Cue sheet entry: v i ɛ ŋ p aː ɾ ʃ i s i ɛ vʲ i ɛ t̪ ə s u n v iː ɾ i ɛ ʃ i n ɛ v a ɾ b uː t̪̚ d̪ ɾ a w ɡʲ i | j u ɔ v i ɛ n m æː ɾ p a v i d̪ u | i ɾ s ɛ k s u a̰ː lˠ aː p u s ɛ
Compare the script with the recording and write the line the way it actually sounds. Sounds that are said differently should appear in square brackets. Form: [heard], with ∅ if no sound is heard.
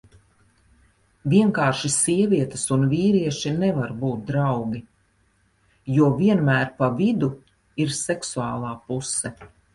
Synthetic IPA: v i ɛ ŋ [k] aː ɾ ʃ i s i ɛ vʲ i ɛ t̪ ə s u n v iː ɾ i ɛ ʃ i n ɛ v a ɾ b uː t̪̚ d̪ ɾ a w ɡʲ i | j u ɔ v i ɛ n m æː ɾ p a v i d̪ u | i ɾ s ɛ k s u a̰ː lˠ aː p u s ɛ